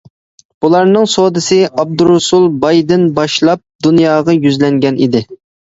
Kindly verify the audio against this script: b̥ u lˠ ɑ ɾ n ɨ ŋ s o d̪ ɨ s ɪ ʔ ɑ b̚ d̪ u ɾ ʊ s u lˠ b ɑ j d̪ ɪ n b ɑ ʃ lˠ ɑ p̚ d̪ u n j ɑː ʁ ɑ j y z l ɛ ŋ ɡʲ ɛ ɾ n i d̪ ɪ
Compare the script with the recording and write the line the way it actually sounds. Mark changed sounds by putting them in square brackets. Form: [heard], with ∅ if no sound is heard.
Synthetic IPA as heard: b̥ u lˠ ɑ ɾ n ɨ ŋ s o d̪ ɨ s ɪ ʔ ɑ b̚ d̪ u ɾ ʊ s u lˠ b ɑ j d̪ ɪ n b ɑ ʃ lˠ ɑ p̚ d̪ u n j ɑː ʁ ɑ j y z l ɛ ŋ ɡʲ ɛ [∅] n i d̪ ɪ